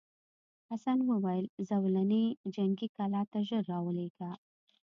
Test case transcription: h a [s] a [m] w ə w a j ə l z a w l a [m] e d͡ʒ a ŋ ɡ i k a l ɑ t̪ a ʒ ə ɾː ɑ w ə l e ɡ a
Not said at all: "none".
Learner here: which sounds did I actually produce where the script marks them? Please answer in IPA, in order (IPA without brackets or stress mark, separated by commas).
s, n, n